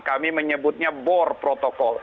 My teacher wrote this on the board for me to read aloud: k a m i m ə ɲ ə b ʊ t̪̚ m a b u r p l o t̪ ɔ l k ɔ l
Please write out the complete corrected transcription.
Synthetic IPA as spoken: k a m i m ə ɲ ə b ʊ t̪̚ ɲ a b ɔ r p ɾ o t̪ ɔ k ɔ l